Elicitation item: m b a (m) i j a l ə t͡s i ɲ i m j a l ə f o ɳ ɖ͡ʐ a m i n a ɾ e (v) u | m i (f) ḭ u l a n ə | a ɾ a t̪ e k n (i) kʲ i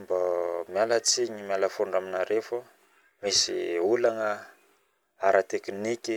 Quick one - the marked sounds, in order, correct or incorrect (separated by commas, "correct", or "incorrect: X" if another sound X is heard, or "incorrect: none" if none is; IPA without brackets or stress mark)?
correct, incorrect: f, incorrect: s, correct